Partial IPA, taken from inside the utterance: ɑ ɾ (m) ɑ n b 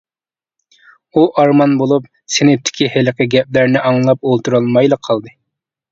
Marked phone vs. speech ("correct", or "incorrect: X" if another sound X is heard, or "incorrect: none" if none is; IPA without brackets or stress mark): correct